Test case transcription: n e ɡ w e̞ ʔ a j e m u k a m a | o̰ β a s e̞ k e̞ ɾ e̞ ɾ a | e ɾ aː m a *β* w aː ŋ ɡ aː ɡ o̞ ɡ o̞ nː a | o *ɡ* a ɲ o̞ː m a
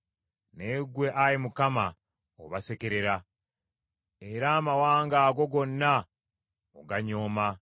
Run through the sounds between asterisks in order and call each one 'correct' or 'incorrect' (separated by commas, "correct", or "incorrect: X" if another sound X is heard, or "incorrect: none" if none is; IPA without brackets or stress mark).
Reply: incorrect: none, correct